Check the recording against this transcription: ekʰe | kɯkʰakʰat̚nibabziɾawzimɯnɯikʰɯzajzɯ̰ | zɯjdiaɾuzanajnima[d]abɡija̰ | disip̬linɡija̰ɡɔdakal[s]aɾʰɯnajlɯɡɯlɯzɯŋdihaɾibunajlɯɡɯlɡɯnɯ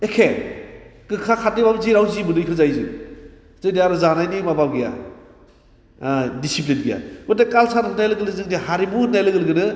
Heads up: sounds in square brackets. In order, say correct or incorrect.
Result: incorrect: b, correct

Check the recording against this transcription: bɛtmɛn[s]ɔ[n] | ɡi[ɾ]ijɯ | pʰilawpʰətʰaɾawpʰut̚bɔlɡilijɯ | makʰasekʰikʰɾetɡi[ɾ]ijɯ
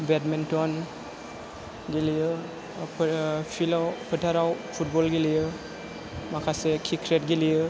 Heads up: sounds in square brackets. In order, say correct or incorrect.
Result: incorrect: t, correct, incorrect: l, incorrect: l

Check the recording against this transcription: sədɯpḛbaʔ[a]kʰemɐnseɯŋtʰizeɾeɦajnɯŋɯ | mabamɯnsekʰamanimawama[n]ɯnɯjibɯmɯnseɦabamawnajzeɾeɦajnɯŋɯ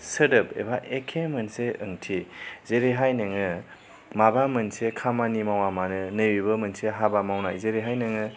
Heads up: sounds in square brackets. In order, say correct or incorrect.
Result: incorrect: e, correct

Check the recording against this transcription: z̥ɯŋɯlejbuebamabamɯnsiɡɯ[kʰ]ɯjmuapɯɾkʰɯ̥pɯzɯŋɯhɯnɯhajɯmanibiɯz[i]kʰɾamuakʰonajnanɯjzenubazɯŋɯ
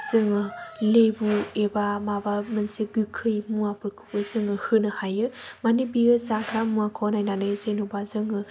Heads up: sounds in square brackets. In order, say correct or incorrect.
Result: correct, incorrect: a

